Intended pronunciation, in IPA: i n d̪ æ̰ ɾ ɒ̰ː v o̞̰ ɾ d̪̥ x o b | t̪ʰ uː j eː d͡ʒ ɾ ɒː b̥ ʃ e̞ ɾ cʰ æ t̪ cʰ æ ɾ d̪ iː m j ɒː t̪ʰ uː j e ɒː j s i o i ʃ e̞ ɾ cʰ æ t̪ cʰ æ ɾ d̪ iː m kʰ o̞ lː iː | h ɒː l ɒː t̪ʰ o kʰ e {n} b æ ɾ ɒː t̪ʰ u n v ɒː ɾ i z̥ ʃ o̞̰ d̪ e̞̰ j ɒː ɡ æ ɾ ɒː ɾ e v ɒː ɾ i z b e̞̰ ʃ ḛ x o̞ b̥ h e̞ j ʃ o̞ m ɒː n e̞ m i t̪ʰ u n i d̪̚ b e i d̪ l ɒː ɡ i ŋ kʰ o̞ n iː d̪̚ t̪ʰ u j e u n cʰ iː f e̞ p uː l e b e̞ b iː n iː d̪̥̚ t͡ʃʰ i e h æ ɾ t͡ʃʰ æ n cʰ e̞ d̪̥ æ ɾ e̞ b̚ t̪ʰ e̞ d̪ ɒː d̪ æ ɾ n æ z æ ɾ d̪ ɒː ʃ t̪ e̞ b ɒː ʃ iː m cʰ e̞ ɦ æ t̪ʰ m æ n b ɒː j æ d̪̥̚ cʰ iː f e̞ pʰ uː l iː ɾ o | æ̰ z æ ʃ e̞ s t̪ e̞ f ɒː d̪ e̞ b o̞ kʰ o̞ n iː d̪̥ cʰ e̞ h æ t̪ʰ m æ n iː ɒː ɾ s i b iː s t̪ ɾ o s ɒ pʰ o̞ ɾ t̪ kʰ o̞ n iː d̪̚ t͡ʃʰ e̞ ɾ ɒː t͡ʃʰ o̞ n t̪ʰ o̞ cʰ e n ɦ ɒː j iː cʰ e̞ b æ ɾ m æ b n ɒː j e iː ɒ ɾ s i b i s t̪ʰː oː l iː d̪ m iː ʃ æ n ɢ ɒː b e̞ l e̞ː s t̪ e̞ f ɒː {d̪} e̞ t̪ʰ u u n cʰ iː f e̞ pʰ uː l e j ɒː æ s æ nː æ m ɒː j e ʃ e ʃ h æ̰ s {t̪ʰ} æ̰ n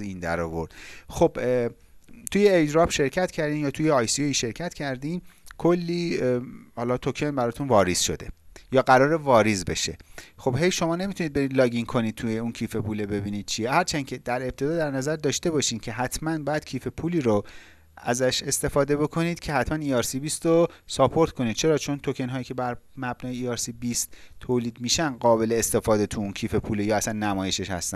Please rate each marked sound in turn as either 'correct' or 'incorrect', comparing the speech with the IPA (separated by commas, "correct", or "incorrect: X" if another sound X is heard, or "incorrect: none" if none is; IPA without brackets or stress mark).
correct, correct, incorrect: t̪